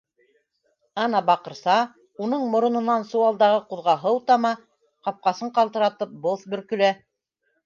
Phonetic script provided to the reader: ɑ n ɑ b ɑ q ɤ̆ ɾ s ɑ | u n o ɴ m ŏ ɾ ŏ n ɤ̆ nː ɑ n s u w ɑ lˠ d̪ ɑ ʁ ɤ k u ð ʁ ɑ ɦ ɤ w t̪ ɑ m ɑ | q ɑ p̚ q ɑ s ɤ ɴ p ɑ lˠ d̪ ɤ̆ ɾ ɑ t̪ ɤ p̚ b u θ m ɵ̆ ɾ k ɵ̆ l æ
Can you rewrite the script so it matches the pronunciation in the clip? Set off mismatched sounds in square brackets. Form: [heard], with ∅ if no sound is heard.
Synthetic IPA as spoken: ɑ n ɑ b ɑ q ɤ̆ ɾ s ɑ | u n [ɤ] ɴ m ŏ ɾ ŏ n ɤ̆ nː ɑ n s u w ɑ lˠ d̪ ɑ ʁ ɤ [q] u ð ʁ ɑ ɦ ɤ w t̪ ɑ m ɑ | q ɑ p̚ q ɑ s ɤ ɴ [q] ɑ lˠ [t̪] ɤ̆ ɾ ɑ t̪ ɤ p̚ b [o] θ [b] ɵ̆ ɾ k ɵ̆ l æ